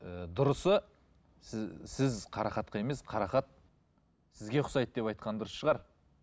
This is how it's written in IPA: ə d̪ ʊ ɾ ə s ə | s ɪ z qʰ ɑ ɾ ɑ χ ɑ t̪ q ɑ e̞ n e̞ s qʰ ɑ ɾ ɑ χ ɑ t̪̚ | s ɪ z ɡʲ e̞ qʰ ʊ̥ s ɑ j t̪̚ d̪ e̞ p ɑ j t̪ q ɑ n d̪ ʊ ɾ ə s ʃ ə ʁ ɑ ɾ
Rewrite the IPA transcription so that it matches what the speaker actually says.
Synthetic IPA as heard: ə d̪ ʊ ɾ ə s ə | s ɪ z qʰ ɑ ɾ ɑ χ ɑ t̪ q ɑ e̞ m e̞ s qʰ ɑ ɾ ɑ χ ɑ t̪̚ | s ɪ z ɡʲ e̞ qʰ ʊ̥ s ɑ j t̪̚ d̪ e̞ p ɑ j t̪ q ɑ n d̪ ʊ ɾ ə s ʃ ə ʁ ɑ ɾ

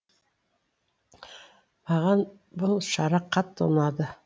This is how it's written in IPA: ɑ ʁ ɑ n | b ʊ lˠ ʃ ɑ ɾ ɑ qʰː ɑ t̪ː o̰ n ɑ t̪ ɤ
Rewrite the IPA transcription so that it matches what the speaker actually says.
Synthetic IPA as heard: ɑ ʁ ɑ n | b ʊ lˠ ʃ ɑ ɾ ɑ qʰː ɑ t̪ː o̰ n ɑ d̪ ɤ

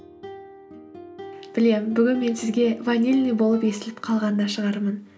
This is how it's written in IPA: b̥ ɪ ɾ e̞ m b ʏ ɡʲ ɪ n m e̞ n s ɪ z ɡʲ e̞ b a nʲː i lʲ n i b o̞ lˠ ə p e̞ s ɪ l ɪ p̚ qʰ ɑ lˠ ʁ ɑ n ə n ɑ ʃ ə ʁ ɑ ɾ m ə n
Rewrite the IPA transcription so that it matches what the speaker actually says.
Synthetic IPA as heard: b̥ ɪ l e̞ m b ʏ ɡʲ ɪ n m e̞ n s ɪ z ɡʲ e̞ v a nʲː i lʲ n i b o̞ lˠ ə p e̞ s ɪ l ɪ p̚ qʰ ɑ lˠ ʁ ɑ n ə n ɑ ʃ ə ʁ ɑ ɾ m ə n

